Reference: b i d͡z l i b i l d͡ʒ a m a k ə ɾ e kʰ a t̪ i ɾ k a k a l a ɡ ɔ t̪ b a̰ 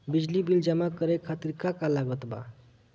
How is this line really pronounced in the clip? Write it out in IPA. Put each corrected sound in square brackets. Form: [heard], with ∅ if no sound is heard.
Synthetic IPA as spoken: b i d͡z l i b i l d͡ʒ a m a k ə ɾ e kʰ a t̪ i ɾ k a k a l a ɡ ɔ t̪ b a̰